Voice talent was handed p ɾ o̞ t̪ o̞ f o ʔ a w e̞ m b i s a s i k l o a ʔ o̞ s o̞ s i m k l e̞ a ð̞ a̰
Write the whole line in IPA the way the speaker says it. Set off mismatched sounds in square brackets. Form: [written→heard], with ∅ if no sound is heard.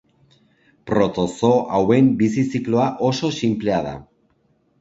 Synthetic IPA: p ɾ o̞ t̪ o̞ [f→s] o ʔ a w e̞ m b i s [a→i] s i k l o a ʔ o̞ s o̞ s i m [k→p] l e̞ a ð̞ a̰